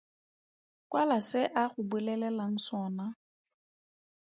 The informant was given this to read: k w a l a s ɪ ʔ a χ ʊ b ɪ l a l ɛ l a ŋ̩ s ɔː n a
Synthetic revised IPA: k w a l a s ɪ ʔ a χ ʊ b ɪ l ɛ l ɛ l a ŋ̩ s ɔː n a